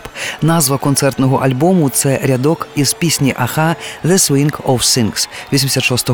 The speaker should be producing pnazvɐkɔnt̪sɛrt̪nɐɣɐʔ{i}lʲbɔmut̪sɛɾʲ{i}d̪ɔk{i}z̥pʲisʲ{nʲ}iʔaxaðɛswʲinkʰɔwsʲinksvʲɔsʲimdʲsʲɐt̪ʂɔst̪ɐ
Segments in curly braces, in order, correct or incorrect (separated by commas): incorrect, incorrect, correct, correct